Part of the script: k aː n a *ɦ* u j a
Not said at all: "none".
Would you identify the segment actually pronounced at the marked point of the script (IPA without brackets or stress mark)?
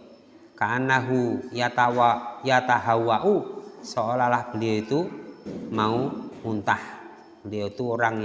ɦ